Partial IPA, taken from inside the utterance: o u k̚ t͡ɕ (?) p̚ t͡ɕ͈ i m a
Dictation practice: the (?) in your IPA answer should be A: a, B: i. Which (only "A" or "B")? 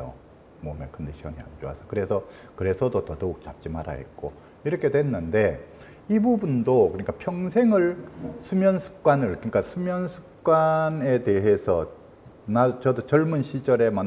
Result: A